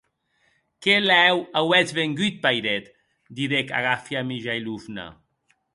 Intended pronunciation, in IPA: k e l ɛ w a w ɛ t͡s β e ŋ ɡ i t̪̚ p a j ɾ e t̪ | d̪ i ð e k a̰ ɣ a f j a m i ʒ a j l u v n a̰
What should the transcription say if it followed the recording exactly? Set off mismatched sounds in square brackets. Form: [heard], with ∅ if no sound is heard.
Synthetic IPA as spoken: k e l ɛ w a w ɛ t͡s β e ŋ ɡ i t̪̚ p a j ɾ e t̪ | d̪ i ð e k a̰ ɣ a f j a m i ʒ a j l u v n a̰

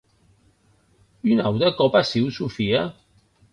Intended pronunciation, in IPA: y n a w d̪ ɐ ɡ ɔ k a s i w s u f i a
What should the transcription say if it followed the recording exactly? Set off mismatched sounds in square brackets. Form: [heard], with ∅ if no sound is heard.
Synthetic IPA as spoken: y n a w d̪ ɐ [k] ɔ [p] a s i w s u f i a

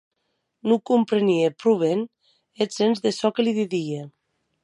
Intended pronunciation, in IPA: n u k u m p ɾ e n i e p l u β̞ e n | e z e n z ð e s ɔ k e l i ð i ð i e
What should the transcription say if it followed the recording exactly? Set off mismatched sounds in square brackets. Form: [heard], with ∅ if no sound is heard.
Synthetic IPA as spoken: n u k u m p ɾ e n i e p [ɾ] u β̞ e n | e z e n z ð e s ɔ k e l i ð i ð i e

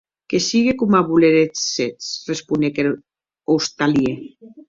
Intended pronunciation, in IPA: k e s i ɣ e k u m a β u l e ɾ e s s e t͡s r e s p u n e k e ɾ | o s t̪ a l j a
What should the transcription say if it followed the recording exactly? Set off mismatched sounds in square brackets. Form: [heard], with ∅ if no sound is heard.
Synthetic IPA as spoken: k e s i ɣ e k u m a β u l e ɾ e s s e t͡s r e s p u n e k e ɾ | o s t̪ a l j [e]

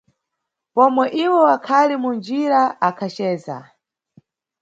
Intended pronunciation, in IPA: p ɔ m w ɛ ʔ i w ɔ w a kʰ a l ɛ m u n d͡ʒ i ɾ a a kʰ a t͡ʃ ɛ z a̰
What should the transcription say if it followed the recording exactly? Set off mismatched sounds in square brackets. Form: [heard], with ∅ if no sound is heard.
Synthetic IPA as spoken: p ɔ m w ɛ ʔ i w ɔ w a kʰ a l [i] m u n d͡ʒ i ɾ a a kʰ a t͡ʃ [ɛː] z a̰

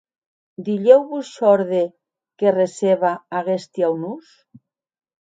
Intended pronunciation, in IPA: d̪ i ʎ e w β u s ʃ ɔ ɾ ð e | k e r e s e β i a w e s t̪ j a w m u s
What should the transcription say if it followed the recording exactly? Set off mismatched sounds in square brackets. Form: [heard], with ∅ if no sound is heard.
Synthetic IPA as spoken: d̪ i ʎ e w β u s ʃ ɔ ɾ ð e | k e r e s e β [a] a [ɣ] e s t̪ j a w [n] u s

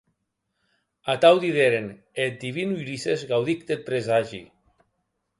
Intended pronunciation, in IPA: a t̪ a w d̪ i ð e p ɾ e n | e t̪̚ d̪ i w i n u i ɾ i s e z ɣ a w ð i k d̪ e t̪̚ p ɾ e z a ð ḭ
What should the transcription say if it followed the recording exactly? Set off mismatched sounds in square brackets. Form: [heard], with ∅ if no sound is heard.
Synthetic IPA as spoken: a t̪ a w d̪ i ð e [∅] ɾ e n | e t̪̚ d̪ i [β] i n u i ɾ i s e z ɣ a w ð i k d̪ e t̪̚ p ɾ e z a [ʒ] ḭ

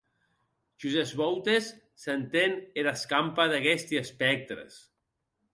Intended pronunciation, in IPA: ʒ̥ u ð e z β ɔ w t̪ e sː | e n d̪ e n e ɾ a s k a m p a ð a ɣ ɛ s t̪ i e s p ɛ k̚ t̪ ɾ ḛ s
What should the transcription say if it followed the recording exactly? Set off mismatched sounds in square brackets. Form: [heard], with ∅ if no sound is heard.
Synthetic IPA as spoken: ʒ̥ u [z] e z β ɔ w t̪ e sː | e n [t̪] e n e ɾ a s k a m p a ð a ɣ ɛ s t̪ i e s p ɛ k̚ t̪ ɾ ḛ s

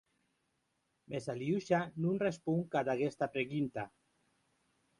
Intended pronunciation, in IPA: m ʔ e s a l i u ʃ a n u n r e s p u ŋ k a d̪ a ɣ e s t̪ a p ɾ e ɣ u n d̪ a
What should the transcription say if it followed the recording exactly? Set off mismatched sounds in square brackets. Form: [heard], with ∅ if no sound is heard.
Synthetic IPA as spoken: m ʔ e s a l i u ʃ a n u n r e s p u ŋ k a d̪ a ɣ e s t̪ a p ɾ e ɣ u n [t̪] a

